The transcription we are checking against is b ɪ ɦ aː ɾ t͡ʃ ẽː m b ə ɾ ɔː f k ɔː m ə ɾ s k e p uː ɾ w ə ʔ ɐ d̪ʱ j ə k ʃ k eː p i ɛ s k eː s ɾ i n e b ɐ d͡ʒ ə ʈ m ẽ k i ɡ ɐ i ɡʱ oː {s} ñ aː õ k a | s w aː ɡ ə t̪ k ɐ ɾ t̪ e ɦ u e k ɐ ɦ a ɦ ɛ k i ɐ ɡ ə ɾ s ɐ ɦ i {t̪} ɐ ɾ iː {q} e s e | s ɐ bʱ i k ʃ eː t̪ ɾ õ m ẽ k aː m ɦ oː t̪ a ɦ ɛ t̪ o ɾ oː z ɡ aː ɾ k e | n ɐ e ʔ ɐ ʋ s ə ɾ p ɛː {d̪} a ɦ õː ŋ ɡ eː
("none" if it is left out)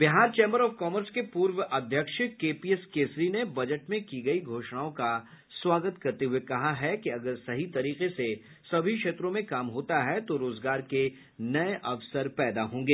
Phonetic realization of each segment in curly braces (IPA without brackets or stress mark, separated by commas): ʃ, t̪, q, d̪